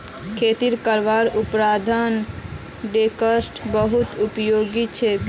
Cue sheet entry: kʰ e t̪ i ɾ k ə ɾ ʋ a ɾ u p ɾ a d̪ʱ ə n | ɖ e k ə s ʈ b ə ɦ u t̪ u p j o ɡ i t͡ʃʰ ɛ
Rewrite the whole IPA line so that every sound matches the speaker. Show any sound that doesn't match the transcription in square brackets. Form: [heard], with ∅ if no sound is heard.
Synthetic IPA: kʰ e t̪ i ɾ k ə ɾ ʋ a ɾ u p ɾ a d̪ʱ ə n | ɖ e k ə s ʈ b ə ɦ u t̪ u p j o ɡ i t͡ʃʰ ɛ